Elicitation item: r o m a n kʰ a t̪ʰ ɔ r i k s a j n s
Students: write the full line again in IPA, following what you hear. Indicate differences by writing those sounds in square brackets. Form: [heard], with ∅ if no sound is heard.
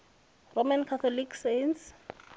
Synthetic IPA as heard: r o m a n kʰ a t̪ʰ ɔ [l] i k s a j n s